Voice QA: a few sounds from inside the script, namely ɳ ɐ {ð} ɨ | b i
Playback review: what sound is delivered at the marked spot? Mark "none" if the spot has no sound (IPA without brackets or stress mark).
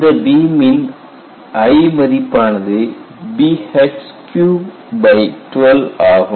ð